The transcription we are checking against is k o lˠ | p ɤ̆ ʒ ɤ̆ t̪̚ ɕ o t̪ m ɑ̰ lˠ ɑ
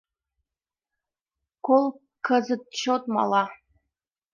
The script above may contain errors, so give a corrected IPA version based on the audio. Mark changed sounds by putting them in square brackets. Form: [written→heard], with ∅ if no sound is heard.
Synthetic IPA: k o lˠ | [p→k] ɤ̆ [ʒ→z] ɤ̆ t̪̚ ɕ o t̪ m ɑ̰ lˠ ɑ